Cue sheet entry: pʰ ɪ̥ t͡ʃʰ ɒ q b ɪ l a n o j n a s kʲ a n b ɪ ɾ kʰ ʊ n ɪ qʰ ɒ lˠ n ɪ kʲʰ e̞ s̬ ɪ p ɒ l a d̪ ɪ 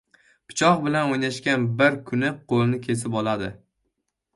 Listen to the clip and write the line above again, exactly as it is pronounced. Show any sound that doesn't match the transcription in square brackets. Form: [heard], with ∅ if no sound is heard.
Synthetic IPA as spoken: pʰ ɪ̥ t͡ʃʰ ɒ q b ɪ l a n o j n a [ʃ] kʲ a n b ɪ ɾ kʰ ʊ n ɪ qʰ [o] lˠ n ɪ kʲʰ e̞ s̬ ɪ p ɒ l a d̪ ɪ